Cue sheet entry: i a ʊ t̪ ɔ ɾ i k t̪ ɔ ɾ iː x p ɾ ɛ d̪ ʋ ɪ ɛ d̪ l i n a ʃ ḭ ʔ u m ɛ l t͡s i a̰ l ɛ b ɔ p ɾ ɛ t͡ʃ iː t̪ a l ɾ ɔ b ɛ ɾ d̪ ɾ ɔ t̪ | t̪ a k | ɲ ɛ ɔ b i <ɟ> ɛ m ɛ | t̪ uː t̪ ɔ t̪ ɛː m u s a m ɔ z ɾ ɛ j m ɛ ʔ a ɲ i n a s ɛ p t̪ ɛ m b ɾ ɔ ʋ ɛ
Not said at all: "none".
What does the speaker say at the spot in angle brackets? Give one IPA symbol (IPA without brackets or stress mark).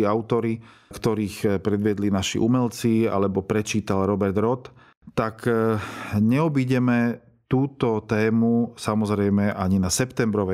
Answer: ɟ